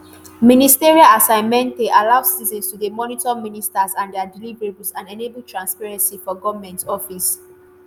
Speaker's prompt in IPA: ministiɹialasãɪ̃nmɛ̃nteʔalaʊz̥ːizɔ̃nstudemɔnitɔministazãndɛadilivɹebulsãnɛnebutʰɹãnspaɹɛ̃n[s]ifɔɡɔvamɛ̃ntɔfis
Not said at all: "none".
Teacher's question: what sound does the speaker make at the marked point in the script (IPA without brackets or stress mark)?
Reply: s